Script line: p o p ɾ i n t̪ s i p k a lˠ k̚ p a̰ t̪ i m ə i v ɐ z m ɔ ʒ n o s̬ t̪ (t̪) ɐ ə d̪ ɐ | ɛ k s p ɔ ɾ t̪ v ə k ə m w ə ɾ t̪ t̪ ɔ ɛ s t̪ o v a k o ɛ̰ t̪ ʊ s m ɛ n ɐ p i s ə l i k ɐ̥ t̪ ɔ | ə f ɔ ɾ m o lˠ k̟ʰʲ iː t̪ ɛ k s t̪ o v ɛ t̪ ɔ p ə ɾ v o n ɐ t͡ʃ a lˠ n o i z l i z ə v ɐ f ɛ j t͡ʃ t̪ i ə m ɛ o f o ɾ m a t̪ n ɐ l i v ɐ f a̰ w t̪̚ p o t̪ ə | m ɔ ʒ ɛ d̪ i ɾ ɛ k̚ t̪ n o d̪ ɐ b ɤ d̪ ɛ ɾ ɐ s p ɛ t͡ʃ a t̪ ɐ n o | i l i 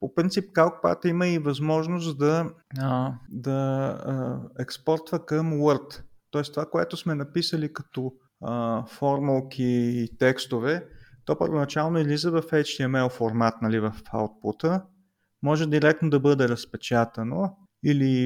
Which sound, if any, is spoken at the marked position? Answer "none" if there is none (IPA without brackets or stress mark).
d̪